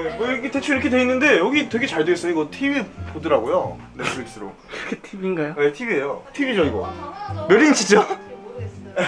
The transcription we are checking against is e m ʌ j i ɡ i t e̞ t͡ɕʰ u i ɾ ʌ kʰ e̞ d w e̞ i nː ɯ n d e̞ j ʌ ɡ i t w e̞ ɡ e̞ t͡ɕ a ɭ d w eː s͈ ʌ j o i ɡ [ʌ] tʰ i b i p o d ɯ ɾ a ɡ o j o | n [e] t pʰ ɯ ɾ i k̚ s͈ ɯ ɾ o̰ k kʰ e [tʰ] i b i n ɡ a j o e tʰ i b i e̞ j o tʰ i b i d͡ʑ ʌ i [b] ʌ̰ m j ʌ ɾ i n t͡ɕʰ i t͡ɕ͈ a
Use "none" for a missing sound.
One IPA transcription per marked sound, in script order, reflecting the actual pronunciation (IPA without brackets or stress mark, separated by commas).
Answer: ʌ, e, tʰ, ɡ